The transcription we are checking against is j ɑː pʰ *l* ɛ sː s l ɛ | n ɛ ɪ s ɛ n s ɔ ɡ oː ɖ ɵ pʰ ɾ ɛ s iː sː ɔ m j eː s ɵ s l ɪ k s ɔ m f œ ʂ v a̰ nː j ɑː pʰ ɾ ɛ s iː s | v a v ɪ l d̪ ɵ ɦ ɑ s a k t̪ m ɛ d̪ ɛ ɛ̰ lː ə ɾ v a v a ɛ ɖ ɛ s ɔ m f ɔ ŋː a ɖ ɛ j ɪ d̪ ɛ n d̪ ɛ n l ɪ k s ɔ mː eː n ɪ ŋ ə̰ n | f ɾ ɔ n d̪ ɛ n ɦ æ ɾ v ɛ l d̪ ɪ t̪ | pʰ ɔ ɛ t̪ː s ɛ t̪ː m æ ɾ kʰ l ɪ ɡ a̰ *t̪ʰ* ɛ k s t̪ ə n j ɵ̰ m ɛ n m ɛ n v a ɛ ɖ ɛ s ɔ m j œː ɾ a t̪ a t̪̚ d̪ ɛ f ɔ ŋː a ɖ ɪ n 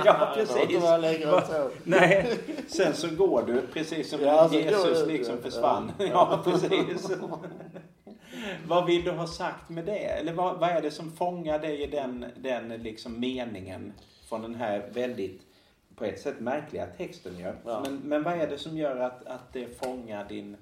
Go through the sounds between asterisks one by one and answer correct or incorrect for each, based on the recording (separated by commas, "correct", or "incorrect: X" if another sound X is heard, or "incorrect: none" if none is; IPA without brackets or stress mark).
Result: incorrect: ɾ, correct